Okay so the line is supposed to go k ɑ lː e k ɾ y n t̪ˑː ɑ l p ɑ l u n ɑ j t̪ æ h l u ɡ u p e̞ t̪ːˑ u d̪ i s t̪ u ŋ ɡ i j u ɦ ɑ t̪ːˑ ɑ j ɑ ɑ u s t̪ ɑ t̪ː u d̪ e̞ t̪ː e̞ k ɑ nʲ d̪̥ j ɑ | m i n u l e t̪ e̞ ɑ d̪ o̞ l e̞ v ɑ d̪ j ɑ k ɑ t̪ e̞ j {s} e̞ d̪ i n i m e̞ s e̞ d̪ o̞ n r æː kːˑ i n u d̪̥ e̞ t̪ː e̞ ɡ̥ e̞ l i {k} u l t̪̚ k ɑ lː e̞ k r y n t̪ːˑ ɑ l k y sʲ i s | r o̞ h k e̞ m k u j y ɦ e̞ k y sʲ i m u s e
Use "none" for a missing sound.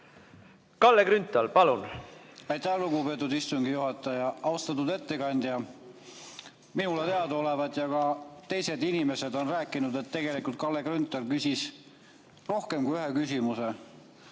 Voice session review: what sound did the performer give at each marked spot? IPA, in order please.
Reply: s, k

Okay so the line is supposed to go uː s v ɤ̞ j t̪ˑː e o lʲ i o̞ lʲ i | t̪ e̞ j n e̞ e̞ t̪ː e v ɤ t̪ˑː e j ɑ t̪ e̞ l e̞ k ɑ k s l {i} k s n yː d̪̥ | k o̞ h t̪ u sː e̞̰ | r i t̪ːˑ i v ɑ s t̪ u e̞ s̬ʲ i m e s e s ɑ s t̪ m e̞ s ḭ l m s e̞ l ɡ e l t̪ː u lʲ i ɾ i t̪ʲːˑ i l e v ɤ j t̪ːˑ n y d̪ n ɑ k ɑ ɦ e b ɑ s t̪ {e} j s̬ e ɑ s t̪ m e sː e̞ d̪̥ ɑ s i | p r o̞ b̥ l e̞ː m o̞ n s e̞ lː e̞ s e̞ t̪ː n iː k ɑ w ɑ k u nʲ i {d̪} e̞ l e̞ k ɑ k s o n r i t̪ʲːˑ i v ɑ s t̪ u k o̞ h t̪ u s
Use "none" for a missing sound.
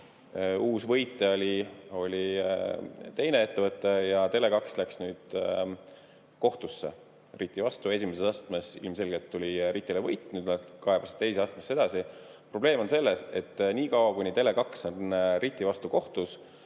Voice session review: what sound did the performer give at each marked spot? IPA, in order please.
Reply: æ, e, t̪

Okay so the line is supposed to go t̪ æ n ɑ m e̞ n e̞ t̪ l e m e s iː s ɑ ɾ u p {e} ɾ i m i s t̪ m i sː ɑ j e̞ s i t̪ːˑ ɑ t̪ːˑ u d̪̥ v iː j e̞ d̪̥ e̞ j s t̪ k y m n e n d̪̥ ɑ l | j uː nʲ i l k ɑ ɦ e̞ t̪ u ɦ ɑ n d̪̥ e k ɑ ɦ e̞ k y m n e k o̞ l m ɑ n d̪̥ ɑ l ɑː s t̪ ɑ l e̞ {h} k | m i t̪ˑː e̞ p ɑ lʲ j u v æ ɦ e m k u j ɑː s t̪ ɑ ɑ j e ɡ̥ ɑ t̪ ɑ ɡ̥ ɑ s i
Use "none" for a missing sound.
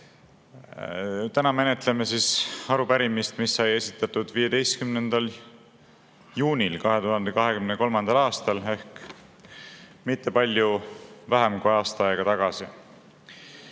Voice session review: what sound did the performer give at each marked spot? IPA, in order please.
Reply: æ, h

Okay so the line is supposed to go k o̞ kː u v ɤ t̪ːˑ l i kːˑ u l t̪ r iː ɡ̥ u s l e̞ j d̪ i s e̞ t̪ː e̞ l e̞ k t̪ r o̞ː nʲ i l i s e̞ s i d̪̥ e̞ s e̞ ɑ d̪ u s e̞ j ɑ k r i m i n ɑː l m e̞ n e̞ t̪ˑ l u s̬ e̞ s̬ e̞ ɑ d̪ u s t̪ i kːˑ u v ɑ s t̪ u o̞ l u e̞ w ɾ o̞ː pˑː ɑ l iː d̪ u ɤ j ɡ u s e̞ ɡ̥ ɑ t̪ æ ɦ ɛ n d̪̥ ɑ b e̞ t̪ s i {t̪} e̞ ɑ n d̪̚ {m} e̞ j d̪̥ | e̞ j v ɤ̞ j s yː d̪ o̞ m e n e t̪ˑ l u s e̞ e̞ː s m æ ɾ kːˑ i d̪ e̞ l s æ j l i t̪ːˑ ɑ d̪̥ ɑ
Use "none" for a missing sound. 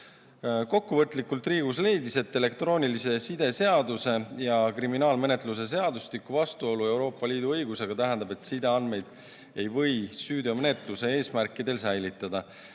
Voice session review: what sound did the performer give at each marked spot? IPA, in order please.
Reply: d̪, m

